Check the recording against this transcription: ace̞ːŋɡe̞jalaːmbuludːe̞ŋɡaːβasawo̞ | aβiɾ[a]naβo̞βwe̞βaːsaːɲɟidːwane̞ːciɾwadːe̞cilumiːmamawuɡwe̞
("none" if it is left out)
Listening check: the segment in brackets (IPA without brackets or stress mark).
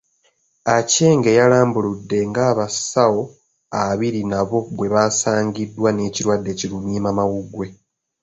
i